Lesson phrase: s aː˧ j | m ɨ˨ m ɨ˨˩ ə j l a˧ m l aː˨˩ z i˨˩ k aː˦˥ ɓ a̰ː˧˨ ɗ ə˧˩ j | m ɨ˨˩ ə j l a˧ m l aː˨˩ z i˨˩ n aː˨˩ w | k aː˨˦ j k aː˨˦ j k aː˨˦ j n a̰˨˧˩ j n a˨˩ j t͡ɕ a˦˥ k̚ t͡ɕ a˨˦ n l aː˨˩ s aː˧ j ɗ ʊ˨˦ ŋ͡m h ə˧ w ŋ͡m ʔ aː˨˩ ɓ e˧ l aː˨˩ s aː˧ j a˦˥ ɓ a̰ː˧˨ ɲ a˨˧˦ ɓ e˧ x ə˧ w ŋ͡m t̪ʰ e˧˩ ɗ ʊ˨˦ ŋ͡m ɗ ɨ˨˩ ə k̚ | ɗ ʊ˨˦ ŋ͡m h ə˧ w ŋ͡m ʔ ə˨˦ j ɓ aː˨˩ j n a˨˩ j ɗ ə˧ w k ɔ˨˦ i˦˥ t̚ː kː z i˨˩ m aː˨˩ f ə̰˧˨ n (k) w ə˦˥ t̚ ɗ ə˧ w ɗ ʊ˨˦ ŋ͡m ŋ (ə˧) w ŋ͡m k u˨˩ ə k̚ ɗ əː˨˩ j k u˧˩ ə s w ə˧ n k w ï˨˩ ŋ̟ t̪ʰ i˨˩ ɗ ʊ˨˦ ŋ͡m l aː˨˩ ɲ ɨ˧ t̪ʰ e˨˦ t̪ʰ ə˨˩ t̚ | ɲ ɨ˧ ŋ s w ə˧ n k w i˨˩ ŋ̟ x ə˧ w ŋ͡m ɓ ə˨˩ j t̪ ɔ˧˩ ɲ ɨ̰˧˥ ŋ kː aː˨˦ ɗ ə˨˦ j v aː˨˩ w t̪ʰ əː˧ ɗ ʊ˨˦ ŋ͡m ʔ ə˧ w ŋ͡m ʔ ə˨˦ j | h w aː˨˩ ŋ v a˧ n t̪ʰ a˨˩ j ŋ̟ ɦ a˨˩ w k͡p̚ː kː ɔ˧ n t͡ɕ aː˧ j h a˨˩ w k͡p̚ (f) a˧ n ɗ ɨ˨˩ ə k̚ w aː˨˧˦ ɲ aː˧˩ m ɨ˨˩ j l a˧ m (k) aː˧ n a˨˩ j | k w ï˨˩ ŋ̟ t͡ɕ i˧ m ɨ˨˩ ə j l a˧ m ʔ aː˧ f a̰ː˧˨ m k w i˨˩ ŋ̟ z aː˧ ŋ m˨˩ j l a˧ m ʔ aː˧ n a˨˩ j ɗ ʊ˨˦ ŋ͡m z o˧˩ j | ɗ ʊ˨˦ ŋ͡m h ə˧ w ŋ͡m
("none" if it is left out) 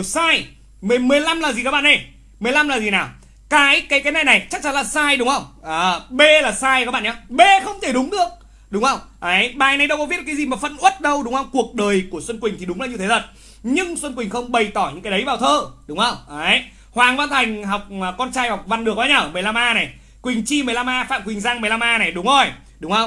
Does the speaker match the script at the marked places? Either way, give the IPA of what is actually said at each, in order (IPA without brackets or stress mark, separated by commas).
ʔ, ə˧, v, ʔ